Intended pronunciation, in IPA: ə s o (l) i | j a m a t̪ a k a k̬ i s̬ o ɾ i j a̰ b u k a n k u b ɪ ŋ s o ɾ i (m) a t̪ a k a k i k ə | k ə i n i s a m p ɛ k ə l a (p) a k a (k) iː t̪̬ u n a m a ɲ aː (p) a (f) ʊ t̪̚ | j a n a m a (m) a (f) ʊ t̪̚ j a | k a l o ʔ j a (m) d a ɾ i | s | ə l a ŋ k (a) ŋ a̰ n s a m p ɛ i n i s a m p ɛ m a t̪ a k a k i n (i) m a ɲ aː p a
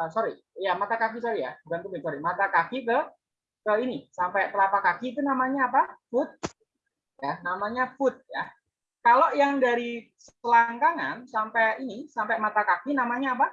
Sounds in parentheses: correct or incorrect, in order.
incorrect: ɾ, correct, correct, correct, correct, correct, incorrect: ɲ, correct, incorrect: ŋ, correct, incorrect: a

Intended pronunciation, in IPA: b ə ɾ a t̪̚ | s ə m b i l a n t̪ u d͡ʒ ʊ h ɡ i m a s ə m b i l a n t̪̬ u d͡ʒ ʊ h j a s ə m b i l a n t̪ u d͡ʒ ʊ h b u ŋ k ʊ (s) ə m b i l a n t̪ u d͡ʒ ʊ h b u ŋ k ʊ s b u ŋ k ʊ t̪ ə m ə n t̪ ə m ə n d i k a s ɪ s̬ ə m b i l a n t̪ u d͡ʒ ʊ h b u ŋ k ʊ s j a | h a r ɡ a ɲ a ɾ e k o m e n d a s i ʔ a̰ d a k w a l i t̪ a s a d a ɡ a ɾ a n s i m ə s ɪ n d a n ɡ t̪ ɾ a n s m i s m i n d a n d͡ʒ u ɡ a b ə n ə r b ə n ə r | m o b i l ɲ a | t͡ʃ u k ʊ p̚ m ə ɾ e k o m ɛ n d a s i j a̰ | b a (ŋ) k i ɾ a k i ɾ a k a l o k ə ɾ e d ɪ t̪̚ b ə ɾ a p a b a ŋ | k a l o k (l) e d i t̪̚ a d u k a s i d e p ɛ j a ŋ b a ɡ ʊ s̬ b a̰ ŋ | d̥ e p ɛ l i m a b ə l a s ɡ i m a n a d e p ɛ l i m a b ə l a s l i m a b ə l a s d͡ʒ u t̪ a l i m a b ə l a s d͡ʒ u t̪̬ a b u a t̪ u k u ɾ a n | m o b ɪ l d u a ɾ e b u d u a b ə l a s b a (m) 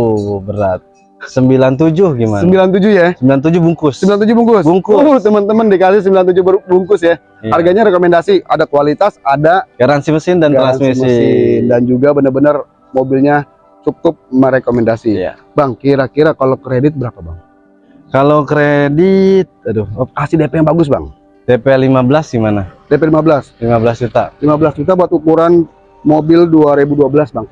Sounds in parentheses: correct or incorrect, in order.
correct, correct, incorrect: ɾ, incorrect: ŋ

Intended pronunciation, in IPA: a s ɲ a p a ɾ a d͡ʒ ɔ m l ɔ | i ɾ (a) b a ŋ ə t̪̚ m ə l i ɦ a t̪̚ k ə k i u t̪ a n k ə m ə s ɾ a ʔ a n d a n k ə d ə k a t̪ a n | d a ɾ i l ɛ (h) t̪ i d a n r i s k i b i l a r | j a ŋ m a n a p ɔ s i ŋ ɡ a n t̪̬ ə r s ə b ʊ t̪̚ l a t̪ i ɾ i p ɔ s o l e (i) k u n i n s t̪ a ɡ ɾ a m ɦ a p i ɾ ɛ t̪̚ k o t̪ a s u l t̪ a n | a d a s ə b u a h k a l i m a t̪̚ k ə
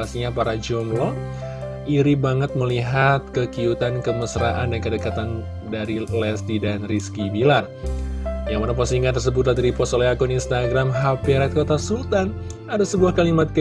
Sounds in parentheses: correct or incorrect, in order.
incorrect: i, incorrect: s, incorrect: a

